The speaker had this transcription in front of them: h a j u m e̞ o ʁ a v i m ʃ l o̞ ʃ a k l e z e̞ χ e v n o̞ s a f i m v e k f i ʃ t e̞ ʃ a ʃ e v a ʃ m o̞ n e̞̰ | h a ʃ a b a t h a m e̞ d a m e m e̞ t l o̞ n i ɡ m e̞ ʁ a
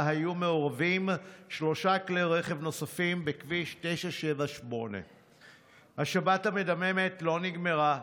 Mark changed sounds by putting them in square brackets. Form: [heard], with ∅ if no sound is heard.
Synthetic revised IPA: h a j u m e̞ o ʁ a v i m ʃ l o̞ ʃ a k l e [ʁ] e̞ χ e v n o̞ s a f i m [b] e k [v] i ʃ t e̞ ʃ a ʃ e v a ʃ m o̞ n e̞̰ | h a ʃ a b a t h a m e̞ d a m e m e̞ t l o̞ n i ɡ m e̞ ʁ a

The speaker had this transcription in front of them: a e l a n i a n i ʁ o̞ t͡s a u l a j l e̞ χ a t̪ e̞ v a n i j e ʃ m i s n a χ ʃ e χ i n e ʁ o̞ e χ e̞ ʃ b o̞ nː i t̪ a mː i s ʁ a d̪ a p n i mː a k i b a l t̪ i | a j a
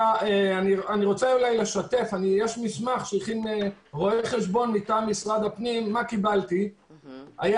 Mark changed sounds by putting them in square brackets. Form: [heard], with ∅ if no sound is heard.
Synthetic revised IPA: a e [∅] a n i a n i ʁ o̞ t͡s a u l a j l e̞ [ʃ] a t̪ e̞ [f] a n i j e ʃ m i s [m] a χ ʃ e χ i n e ʁ o̞ e χ e̞ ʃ b o̞ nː i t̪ a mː i s ʁ a d̪ a p n i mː a k i b a l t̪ i | a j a

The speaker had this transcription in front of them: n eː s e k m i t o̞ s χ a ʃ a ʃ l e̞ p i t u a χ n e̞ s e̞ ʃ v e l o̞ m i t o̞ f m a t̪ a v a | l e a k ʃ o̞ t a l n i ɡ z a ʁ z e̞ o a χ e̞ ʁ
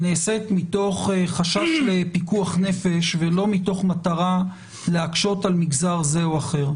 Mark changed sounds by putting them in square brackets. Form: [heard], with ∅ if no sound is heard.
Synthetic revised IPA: n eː s e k m i t o̞ [χ] χ a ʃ a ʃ l e̞ p i [k] u a χ n e̞ [f] e̞ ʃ v e l o̞ m i t o̞ [χ] m a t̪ a [ʁ] a | l e a k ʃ o̞ t a l [m] i ɡ z a ʁ z e̞ o a χ e̞ ʁ

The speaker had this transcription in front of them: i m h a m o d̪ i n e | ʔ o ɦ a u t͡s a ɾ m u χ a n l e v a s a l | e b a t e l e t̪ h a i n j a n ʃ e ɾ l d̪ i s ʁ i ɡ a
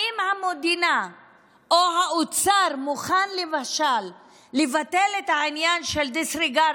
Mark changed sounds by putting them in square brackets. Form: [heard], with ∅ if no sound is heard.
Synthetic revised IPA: i m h a m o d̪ i n [a] | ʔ o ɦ a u t͡s a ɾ m u χ a n l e v a [ʃ] a [lː] | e [v] a t e l e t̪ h a i n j a n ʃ e [∅] l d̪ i s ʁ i ɡ a

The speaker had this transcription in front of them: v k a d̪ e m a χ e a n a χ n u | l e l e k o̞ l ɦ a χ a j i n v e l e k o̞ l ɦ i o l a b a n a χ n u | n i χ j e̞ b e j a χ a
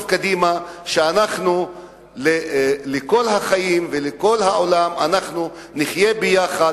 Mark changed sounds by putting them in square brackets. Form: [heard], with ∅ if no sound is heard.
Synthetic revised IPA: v k a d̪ [i] m a [ʃ] e a n a χ n u | l e l e k o̞ l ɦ a χ a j i [m] v e l e k o̞ l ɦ [a] o l a [m] a n a χ n u | n i χ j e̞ b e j a χ a

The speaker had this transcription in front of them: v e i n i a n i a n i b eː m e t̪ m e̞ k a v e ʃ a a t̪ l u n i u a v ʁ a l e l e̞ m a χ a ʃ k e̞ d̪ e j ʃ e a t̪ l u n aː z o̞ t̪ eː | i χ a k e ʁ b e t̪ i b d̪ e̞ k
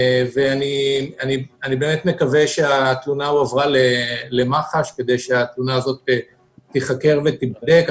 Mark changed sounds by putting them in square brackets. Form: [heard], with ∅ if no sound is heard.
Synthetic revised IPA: v e [a] n i a n i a n i b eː m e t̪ m e̞ k a v e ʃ [e] a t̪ l u n [a] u a v ʁ a l e l e̞ m a χ a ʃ k e̞ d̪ e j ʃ e a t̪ l u n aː z o̞ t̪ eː | i χ a k e ʁ [v] e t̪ i b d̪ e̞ k

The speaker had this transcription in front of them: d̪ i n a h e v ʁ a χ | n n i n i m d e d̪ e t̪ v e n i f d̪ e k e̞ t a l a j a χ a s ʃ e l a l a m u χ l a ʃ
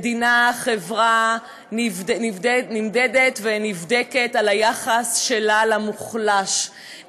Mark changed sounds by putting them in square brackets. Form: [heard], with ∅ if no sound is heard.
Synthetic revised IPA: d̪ i n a [χ] e v ʁ a [∅] | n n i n i m d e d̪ e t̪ v e n i [v] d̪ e k e̞ t a l a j a χ a s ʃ e l a l a m u χ l a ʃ

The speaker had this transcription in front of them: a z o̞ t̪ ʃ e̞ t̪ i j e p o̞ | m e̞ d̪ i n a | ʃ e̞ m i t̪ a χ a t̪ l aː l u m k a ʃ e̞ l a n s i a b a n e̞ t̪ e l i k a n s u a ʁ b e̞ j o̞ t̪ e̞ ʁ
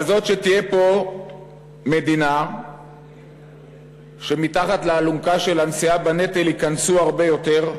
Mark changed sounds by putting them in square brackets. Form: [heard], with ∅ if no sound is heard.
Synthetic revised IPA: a z o̞ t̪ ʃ e̞ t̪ i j e p o̞ | m e̞ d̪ i n a | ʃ e̞ m i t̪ a χ a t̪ l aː l u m k a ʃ e̞ l a n s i a b a n e̞ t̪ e l i k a n s u a ʁ b e̞ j o̞ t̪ e̞ ʁ

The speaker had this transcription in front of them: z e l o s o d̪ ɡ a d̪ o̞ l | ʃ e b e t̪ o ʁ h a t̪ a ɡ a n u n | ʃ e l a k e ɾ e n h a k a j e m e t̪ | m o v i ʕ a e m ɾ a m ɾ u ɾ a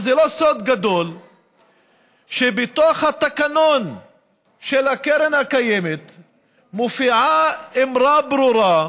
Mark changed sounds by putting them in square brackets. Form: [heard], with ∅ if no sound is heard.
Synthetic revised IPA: z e l o s o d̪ ɡ a d̪ o̞ l | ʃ e b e t̪ o [χ] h a t̪ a [k] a n [o] n | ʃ e l a k e ɾ e n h a k a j e m e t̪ | m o [f] i ʕ a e m ɾ a [b] ɾ u ɾ a

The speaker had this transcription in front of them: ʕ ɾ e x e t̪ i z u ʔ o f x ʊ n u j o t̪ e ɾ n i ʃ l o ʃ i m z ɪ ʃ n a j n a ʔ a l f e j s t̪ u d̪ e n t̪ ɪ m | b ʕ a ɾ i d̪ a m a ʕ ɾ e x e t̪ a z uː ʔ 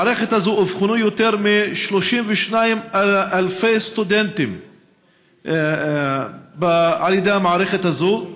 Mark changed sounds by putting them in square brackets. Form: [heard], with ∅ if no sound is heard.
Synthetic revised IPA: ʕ ɾ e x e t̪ [a] z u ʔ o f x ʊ n u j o t̪ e ɾ [m] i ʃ l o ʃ i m [v] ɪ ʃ n a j [m] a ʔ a l f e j s t̪ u d̪ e n t̪ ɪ m | b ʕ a [l] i d̪ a m a ʕ ɾ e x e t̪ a z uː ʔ

